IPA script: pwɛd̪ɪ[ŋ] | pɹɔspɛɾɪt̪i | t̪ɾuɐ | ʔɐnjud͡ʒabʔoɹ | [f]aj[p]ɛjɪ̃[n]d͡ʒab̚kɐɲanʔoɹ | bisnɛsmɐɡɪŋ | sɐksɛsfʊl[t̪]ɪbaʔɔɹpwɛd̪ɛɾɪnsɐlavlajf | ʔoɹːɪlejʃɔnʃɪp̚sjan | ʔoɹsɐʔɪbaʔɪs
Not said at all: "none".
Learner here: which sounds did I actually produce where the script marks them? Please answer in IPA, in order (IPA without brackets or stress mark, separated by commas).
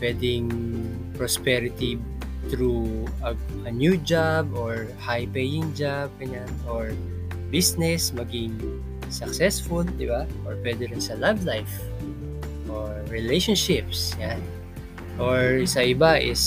ŋ, h, p, ŋ, d̪